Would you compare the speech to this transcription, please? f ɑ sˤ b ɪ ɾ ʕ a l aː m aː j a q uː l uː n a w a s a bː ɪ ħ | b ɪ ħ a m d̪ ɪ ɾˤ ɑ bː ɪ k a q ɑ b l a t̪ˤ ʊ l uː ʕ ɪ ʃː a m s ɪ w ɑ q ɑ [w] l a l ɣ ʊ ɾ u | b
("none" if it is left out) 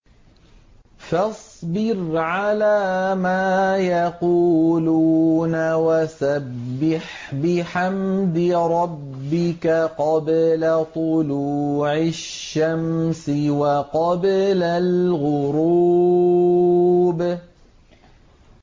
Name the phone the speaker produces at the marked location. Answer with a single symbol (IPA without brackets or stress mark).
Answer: b